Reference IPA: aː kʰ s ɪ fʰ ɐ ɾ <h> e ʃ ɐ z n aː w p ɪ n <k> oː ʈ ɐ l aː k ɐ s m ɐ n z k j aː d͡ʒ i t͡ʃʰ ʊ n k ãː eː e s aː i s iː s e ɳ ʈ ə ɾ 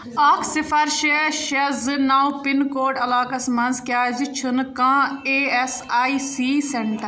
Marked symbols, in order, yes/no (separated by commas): no, yes